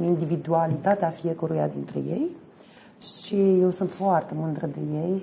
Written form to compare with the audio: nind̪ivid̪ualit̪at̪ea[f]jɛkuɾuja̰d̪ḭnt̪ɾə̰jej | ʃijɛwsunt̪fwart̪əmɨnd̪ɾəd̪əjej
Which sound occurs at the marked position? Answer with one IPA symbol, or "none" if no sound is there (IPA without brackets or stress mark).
f